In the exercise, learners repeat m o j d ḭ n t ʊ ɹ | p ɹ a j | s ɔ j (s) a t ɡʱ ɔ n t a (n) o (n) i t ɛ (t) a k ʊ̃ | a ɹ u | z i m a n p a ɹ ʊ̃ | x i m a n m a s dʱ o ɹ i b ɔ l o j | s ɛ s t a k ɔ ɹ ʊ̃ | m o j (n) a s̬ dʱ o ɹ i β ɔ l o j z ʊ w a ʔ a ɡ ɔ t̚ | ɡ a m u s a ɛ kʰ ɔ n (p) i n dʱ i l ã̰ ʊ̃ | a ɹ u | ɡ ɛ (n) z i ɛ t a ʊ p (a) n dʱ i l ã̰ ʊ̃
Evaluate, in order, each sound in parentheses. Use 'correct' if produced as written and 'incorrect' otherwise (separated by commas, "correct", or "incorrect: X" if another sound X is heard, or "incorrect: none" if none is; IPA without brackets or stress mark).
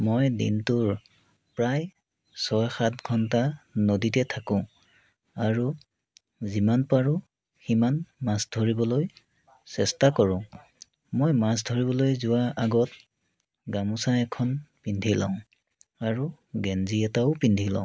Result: incorrect: x, correct, incorrect: d, incorrect: tʰ, incorrect: m, correct, correct, incorrect: i